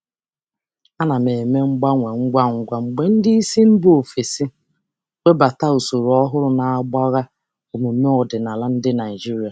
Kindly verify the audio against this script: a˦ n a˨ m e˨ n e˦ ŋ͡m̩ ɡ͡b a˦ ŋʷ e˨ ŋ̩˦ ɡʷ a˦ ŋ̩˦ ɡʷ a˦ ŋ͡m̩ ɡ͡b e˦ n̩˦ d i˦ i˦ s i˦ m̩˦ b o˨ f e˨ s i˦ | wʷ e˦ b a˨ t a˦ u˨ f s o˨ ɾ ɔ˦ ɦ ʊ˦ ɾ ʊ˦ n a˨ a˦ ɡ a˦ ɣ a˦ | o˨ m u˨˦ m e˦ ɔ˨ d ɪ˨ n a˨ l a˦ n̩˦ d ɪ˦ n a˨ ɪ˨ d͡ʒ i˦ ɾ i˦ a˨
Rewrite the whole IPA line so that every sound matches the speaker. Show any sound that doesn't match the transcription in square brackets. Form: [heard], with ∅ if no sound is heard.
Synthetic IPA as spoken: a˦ n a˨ m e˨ [m] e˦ ŋ͡m̩ ɡ͡b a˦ ŋʷ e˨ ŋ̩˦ ɡʷ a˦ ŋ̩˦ ɡʷ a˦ ŋ͡m̩ ɡ͡b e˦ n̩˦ d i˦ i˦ s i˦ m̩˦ b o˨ f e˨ s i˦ | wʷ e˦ b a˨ t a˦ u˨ [∅] s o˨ ɾ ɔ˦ ɦ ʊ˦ ɾ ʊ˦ n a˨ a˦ [ɡ͡b] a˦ ɣ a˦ | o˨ m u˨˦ m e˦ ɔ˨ d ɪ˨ n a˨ l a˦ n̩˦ d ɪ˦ n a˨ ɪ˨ d͡ʒ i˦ ɾ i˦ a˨